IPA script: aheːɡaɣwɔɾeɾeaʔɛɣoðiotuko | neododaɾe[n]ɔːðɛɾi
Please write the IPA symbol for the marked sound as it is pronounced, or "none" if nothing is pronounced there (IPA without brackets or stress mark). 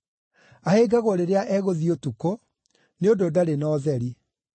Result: n